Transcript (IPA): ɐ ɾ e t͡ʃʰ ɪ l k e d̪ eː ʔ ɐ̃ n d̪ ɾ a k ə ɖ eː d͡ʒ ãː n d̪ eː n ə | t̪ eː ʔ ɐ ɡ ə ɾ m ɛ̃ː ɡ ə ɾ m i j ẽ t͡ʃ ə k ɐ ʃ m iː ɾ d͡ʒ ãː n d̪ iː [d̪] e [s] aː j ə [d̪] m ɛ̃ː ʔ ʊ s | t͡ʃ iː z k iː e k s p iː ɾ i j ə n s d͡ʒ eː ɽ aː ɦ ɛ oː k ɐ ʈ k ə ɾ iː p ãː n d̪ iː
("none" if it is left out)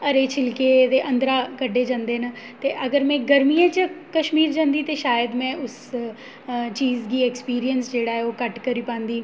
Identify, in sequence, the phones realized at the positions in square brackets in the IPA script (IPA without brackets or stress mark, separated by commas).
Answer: t̪, ʃ, d̪